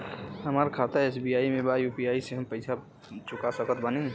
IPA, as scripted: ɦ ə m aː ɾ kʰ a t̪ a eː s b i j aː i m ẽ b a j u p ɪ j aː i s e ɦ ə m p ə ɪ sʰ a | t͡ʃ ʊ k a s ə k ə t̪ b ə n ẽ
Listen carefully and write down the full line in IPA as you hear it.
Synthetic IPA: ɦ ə m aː ɾ kʰ a t̪ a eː s b i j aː i m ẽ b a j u p i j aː i s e ɦ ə m p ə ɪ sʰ a | t͡ʃ ʊ k a s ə k ə t̪ b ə n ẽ